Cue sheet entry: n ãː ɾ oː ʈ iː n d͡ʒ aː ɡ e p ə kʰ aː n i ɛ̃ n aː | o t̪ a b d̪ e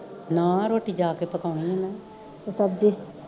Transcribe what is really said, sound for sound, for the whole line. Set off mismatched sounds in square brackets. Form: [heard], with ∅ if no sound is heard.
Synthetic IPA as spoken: n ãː ɾ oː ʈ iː [∅] d͡ʒ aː [k] e p ə [k] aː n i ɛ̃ n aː | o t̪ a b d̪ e